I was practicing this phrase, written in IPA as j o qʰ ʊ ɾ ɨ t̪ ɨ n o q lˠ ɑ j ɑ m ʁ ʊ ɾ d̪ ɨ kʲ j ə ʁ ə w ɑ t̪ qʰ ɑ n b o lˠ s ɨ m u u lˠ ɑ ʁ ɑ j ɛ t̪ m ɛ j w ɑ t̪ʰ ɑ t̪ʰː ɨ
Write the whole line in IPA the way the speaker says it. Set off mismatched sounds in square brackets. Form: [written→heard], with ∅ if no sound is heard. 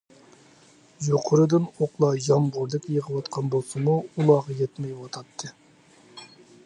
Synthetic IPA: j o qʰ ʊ ɾ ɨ [t̪→d̪] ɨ n o q lˠ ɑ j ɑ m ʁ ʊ ɾ d̪ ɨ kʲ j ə ʁ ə w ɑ t̪ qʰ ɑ n b o lˠ s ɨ m u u lˠ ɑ ʁ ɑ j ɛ t̪ m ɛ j w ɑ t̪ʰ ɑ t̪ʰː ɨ